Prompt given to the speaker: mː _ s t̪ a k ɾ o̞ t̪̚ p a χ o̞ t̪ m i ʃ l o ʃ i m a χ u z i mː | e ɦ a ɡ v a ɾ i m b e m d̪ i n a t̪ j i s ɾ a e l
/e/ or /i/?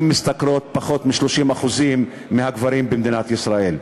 i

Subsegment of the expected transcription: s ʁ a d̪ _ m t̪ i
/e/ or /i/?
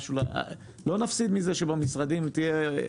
i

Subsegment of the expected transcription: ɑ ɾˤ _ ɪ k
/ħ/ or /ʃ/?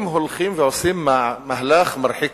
ħ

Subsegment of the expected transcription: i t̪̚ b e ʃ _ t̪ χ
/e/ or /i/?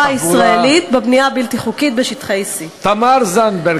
i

